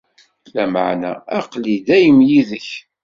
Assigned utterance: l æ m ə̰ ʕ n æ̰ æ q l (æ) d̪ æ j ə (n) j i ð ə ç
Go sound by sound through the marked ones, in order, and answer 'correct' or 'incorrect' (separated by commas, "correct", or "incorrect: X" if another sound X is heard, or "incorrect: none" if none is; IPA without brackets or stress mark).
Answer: incorrect: i, incorrect: m